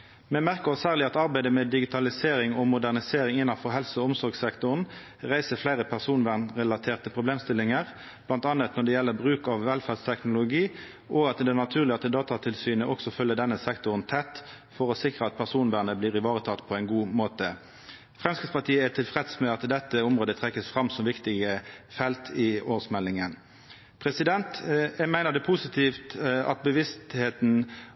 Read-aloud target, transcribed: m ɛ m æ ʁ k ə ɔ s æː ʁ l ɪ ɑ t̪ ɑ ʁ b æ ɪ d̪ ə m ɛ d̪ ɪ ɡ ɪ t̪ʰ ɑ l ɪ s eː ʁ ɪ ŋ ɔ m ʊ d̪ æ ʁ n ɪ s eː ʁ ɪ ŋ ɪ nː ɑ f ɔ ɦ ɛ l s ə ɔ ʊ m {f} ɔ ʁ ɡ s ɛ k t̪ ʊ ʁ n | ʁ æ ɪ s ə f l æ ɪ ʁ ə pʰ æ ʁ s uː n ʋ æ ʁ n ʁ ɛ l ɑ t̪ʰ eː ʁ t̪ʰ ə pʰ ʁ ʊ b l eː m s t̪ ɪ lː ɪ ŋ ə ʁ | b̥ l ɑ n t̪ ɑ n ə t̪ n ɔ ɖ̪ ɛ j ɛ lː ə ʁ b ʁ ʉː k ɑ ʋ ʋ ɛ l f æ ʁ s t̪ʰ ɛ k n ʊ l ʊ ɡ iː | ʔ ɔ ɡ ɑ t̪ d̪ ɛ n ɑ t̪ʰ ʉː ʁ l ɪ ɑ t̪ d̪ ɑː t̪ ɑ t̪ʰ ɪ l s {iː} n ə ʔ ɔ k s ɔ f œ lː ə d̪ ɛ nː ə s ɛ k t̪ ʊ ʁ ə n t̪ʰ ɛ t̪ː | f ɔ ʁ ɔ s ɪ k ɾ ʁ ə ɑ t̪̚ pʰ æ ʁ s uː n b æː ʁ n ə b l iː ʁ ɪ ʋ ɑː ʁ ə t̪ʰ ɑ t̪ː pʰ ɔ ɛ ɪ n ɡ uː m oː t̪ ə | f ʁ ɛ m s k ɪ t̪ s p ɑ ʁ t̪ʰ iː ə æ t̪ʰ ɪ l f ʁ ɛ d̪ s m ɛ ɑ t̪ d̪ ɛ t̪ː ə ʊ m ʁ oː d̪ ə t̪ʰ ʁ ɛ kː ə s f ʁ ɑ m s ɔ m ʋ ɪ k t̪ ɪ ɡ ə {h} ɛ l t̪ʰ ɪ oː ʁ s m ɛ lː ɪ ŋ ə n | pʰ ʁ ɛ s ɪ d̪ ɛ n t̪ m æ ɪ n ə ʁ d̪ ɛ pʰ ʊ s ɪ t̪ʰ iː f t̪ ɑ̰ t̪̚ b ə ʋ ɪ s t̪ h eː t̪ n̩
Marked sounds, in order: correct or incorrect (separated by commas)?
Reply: incorrect, incorrect, incorrect